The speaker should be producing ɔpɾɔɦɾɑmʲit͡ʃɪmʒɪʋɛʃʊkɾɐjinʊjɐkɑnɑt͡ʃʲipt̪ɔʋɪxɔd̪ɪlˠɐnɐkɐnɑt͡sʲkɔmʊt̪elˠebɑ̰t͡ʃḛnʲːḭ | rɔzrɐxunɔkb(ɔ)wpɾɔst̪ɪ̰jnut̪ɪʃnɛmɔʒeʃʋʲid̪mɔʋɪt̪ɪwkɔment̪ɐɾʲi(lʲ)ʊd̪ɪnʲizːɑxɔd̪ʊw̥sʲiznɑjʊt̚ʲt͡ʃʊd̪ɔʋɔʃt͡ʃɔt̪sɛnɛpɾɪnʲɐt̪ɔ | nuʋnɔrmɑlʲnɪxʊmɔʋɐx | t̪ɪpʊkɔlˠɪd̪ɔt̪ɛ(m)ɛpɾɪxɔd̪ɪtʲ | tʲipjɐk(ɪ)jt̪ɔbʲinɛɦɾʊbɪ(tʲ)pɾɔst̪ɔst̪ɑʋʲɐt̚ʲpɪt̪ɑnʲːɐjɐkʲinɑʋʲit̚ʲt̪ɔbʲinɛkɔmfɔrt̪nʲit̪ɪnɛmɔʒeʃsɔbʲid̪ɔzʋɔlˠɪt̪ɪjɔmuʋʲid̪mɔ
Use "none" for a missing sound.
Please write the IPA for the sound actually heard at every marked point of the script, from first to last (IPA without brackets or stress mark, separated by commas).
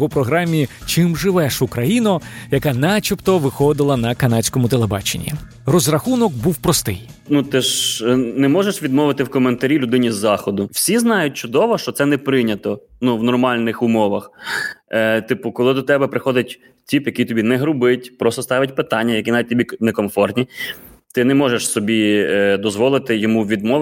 u, lʲ, b, i, tʲ